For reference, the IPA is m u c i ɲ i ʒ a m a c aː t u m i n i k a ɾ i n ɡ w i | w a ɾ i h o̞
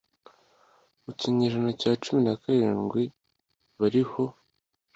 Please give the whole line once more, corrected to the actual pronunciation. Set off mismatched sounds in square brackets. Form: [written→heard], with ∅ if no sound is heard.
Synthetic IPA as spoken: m u c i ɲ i ʒ a [m→n] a c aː [t→t͡ʃ] u m i n [i→a] k a ɾ [i→iː] n ɡ w i | [w→β] a ɾ i h o̞